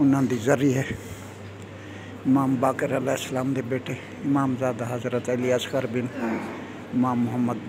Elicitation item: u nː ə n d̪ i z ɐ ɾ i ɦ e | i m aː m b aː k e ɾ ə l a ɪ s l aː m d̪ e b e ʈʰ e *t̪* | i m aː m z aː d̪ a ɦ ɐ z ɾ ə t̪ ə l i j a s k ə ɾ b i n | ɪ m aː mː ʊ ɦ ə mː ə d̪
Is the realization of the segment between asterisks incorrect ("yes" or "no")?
yes